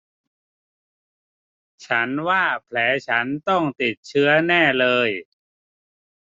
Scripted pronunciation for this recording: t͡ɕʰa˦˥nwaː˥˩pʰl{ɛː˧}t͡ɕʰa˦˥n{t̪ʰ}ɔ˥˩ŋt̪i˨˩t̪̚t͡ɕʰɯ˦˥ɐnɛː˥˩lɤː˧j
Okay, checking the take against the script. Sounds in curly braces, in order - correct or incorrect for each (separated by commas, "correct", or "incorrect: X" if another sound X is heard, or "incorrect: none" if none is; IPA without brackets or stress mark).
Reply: incorrect: ɛː˩˦˥, incorrect: t̪